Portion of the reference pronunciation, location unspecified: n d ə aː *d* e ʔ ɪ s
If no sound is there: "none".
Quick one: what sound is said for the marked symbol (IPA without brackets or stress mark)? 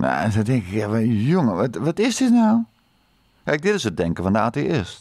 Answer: t